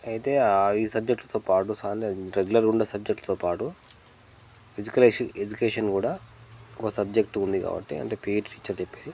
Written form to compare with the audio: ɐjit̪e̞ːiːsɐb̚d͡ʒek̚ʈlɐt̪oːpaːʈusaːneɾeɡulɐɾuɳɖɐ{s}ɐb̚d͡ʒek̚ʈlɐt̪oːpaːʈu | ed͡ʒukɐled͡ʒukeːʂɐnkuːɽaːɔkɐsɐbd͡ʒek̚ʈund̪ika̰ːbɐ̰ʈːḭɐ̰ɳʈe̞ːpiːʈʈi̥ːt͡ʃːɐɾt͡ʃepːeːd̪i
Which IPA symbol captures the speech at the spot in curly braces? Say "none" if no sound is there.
s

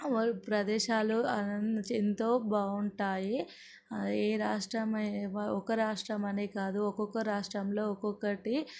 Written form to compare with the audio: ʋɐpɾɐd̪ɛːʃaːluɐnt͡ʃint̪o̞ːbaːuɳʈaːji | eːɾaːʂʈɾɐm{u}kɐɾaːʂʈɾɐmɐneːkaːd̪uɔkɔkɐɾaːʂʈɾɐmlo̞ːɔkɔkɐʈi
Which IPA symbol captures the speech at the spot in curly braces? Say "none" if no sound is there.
ɔ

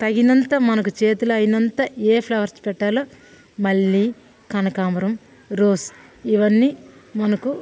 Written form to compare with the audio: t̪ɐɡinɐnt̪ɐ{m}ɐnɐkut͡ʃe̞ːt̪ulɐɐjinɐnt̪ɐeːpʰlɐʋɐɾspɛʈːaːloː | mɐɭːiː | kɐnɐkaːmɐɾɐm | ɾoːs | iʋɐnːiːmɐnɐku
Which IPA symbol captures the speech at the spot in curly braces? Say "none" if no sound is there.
m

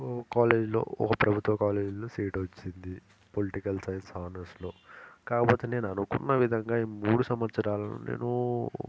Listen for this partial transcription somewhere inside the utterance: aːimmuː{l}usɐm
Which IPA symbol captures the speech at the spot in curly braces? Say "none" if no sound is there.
ɽ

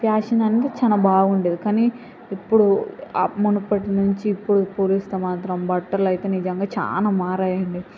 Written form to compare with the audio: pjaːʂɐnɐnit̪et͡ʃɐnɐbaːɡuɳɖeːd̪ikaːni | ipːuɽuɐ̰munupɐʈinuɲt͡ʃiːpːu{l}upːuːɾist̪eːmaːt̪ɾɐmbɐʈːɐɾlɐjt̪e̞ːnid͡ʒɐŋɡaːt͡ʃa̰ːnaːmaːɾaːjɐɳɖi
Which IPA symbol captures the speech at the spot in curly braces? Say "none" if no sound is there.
ɽ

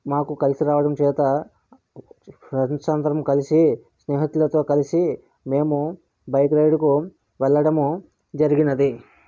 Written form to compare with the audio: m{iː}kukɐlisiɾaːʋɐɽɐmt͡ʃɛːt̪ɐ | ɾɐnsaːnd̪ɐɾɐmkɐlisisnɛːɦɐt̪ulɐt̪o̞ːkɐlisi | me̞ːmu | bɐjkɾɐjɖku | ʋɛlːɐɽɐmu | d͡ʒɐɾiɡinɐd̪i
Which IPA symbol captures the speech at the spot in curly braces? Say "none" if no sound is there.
aː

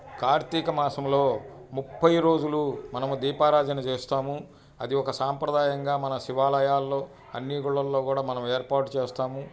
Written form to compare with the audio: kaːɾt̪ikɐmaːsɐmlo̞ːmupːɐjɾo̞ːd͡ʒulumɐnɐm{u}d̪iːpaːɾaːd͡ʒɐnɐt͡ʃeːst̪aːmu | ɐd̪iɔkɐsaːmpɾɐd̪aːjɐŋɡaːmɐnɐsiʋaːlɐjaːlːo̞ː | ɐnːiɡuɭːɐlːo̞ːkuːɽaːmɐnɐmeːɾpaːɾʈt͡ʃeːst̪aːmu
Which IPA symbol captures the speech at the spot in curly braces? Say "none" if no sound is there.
u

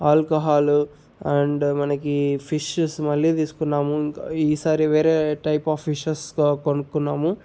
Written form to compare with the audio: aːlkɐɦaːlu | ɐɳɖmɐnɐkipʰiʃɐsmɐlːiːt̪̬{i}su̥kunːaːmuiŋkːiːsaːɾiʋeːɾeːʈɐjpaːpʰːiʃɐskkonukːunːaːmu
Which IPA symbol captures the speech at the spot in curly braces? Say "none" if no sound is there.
iː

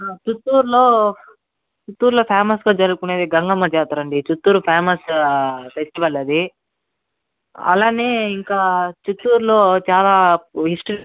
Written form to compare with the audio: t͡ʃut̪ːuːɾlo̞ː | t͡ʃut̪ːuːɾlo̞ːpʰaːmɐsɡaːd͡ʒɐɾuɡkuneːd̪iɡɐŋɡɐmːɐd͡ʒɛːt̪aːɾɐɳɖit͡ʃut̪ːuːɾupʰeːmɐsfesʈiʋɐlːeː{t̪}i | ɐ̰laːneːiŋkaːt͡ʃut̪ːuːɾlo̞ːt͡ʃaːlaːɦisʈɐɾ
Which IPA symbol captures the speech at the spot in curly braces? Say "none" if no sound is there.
d̪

